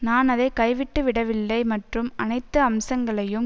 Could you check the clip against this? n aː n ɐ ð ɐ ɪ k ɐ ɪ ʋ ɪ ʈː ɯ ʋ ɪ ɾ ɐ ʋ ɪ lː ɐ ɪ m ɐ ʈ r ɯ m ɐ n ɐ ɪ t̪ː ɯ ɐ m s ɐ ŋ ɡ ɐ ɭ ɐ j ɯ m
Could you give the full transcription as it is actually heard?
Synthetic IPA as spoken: n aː n ɐ ð ɐ ɪ k ɐ ɪ ʋ ɪ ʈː ɯ ʋ ɪ ɽ ɐ ʋ ɪ lː ɐ ɪ m ɐ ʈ r ɯ m ɐ n ɐ ɪ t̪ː ɯ ɐ m s ɐ ŋ ɡ ɐ ɭ ɐ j ɯ m